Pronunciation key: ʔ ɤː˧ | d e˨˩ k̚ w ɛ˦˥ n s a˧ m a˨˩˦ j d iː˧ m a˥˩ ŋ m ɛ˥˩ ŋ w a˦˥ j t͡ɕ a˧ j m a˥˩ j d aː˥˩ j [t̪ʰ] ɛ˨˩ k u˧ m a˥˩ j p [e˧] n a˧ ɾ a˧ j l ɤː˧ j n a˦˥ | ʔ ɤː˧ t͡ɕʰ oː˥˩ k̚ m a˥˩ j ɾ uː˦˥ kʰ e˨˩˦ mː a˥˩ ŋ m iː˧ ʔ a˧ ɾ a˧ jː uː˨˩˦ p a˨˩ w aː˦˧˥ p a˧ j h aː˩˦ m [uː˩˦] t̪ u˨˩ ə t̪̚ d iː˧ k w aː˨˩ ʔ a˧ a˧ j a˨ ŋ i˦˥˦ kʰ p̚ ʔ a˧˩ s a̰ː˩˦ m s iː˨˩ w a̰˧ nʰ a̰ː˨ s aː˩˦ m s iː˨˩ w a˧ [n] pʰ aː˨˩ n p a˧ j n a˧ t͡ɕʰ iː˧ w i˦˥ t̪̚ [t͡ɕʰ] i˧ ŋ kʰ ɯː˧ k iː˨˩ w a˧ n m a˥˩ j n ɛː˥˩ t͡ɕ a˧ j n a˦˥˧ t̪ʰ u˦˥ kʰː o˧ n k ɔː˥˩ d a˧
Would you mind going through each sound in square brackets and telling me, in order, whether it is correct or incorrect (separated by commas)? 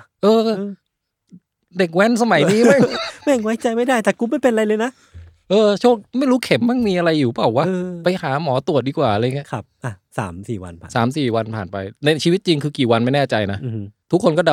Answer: incorrect, correct, incorrect, correct, incorrect